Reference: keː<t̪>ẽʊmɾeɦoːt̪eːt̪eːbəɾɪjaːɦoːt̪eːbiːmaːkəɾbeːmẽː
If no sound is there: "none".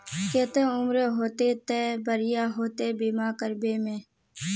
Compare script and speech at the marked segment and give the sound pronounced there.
t̪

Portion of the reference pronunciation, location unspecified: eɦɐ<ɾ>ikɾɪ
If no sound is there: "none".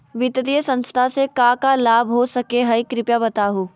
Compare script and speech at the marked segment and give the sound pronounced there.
none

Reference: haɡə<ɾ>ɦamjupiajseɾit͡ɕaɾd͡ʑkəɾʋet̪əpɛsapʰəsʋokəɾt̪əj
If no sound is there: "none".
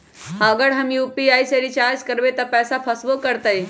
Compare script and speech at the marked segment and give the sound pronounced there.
ɽ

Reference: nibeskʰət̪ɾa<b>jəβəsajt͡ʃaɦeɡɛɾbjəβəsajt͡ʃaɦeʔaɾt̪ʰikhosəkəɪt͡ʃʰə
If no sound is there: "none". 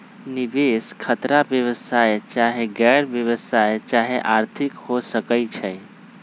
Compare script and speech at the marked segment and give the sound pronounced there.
b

